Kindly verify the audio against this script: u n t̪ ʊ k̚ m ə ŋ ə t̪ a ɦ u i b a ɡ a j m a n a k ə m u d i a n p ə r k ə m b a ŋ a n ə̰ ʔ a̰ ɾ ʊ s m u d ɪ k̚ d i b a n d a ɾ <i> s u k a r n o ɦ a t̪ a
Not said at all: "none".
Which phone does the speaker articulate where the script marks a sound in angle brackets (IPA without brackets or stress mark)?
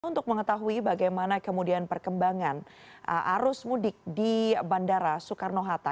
a